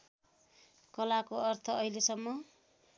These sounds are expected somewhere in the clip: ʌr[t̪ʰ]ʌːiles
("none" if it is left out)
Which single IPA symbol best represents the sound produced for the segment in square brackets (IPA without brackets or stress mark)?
t̪ʰ